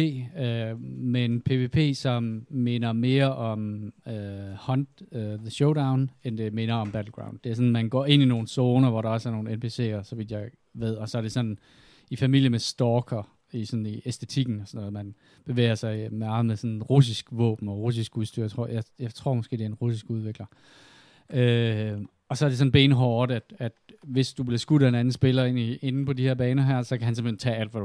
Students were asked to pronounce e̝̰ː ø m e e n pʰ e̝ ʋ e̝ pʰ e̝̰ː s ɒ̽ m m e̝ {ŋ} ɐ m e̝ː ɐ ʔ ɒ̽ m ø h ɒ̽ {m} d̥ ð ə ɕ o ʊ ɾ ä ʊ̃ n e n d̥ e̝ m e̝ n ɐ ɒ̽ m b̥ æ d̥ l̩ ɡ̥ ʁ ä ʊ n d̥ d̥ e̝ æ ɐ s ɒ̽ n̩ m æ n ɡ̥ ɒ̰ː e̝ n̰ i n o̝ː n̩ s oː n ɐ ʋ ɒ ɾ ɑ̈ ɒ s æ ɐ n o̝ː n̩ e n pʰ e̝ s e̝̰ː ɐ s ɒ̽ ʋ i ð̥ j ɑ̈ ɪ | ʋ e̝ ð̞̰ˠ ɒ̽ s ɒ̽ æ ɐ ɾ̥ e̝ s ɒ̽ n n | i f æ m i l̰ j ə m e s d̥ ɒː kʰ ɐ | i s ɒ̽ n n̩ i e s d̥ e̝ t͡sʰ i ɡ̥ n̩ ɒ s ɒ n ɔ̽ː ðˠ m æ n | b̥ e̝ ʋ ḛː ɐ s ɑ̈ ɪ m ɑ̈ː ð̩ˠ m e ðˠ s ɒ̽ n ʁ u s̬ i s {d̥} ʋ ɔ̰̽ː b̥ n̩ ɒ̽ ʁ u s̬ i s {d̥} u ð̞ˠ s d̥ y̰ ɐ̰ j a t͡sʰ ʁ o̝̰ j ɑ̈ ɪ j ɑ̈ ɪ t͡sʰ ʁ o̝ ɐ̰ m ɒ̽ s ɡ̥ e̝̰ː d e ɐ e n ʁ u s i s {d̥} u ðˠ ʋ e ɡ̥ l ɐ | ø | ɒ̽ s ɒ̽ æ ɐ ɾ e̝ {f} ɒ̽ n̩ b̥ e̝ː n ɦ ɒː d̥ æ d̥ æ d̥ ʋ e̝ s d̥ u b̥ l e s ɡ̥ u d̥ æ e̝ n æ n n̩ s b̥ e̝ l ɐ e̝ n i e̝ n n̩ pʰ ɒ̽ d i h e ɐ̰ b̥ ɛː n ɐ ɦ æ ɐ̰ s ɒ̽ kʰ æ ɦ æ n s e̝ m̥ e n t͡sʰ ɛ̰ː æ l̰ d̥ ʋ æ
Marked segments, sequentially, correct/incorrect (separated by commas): incorrect, incorrect, incorrect, incorrect, incorrect, incorrect